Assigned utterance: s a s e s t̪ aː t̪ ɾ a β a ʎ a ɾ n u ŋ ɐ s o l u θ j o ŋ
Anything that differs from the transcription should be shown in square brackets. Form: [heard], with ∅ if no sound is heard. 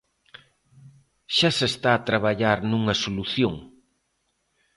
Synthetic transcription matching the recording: [ʃ] a s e s t̪ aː t̪ ɾ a β a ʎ a ɾ n u ŋ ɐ s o l u θ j o ŋ